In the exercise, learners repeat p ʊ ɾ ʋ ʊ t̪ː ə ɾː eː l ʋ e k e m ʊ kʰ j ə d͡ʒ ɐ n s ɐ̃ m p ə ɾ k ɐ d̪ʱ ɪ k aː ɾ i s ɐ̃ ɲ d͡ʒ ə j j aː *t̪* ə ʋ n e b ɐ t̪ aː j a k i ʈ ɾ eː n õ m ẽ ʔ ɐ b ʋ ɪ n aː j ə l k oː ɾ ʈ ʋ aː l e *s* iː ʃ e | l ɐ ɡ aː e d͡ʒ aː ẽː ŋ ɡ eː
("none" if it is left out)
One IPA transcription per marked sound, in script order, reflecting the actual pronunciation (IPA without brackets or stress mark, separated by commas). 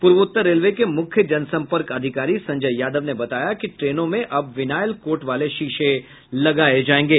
d̪, ʃ